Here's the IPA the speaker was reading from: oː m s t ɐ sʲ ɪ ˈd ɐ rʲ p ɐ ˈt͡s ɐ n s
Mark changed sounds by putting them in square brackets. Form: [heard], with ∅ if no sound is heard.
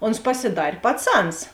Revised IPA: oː [n] s [p] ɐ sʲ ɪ ˈd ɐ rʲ p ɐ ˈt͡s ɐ n s